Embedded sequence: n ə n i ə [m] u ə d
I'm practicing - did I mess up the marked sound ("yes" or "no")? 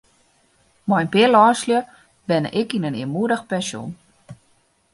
no